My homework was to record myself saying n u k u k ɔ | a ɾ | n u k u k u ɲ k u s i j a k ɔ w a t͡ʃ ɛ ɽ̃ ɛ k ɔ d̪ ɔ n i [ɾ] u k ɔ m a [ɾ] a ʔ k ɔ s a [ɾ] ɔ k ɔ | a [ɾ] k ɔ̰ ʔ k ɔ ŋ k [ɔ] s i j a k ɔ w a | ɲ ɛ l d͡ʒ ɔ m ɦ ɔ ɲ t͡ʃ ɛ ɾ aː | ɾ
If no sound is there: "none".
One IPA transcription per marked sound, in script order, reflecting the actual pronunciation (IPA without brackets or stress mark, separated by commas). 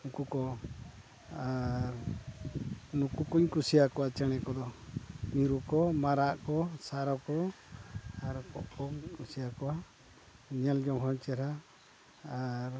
ɾ, ɾ, ɾ, ɾ, u